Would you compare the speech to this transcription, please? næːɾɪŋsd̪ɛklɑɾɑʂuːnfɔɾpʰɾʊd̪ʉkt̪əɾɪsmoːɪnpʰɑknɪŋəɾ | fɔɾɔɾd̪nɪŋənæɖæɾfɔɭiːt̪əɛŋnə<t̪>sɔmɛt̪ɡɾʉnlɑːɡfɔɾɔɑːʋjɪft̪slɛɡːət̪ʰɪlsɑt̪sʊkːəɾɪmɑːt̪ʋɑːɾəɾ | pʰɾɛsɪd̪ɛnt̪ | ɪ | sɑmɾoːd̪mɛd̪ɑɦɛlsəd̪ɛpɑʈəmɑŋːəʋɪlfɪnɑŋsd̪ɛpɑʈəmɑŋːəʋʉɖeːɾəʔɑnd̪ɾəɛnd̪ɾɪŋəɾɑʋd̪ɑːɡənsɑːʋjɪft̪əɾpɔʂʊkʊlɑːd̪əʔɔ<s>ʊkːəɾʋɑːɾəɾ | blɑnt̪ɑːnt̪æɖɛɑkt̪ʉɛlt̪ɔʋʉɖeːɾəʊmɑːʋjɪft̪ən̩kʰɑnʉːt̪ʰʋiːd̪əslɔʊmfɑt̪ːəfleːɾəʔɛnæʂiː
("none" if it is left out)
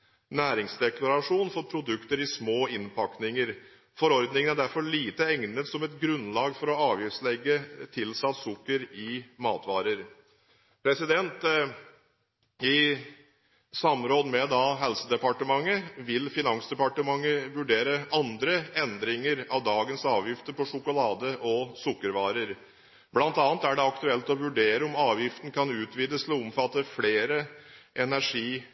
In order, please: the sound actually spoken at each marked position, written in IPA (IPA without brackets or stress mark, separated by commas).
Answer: t̪, s